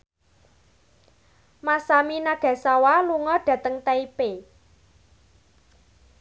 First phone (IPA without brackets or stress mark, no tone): m